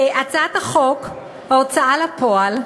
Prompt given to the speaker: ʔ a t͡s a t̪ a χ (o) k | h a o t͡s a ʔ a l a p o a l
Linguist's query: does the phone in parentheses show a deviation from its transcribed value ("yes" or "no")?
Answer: no